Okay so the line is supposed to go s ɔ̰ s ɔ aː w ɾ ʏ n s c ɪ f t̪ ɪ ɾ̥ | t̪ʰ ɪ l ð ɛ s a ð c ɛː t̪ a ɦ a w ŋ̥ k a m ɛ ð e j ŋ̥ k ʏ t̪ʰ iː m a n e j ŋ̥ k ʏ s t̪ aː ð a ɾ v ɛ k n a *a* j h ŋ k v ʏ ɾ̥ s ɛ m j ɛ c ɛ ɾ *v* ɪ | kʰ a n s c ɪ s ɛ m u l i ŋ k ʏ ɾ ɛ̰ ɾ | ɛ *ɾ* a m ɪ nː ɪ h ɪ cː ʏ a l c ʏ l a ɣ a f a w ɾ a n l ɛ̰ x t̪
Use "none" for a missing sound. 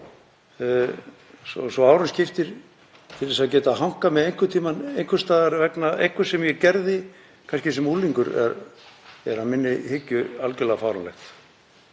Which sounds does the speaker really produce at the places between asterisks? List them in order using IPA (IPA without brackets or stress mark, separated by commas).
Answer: e, ð, ɾ